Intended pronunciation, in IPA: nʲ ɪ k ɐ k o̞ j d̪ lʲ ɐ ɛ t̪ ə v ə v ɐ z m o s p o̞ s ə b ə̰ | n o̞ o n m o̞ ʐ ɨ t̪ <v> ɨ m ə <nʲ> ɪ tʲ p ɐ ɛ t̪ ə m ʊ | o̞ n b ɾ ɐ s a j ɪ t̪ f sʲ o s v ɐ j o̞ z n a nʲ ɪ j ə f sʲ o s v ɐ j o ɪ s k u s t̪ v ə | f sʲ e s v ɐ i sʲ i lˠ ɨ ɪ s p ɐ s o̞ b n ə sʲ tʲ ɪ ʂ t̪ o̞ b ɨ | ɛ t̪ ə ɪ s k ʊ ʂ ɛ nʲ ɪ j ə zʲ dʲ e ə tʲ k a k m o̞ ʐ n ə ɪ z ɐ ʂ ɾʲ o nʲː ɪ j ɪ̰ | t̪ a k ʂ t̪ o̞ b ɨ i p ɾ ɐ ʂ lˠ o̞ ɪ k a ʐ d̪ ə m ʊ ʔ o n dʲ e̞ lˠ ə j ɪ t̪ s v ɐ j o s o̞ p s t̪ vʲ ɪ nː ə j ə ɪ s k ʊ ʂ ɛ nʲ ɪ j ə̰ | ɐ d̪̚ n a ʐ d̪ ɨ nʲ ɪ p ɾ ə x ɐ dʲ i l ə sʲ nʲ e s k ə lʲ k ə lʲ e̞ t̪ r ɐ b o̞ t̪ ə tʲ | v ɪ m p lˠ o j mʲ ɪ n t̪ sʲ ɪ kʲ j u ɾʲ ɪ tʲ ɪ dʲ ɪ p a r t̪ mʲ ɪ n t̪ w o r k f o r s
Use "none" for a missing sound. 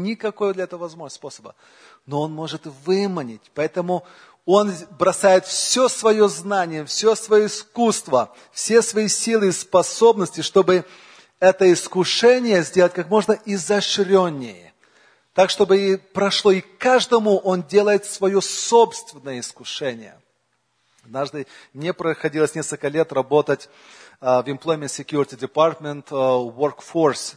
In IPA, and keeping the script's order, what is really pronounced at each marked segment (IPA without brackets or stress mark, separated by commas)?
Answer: v, nʲ